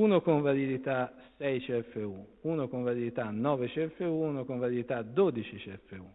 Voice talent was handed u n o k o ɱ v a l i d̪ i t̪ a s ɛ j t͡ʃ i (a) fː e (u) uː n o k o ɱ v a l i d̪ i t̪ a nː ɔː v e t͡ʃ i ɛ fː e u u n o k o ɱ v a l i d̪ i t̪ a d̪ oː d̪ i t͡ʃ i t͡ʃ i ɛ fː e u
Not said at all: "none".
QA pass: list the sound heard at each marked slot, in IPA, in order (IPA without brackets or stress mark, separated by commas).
ɛ, u